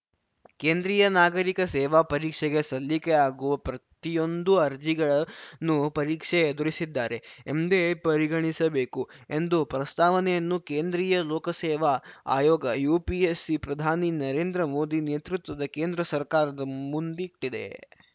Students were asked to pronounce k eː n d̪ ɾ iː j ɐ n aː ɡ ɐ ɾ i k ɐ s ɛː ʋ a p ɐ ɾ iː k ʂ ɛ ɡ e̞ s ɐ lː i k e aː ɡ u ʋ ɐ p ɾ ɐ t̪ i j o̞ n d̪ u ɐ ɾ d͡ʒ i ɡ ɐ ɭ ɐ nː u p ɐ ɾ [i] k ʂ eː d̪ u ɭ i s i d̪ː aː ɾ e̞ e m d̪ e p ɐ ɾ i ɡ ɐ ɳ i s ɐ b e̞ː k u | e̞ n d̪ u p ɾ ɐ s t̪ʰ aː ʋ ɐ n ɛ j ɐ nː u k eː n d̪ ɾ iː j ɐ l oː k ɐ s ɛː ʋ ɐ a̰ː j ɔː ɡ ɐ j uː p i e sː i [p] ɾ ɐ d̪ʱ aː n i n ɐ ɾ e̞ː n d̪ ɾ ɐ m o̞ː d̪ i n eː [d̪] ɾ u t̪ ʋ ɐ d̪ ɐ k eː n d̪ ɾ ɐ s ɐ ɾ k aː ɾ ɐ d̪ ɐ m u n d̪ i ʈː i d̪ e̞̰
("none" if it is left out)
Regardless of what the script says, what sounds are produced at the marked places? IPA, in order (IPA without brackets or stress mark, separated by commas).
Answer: iː, p, t̪